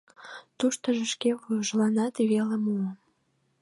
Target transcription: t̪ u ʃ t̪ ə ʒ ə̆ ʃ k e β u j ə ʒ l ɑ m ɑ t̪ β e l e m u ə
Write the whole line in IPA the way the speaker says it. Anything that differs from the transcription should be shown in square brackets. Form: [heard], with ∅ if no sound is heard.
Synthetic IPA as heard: t̪ u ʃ t̪ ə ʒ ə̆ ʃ k e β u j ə ʒ l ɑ [n] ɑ t̪ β e l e m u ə